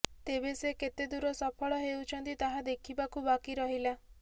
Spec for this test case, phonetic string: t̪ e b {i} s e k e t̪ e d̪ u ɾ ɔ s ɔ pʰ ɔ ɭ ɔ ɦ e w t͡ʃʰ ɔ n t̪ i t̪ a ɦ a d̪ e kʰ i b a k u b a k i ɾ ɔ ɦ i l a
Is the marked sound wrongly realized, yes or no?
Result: yes